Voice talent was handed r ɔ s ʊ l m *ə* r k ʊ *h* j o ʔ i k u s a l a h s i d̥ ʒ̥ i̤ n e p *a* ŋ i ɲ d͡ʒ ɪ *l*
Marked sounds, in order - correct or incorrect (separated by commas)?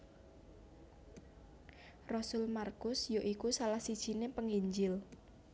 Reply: incorrect, incorrect, incorrect, correct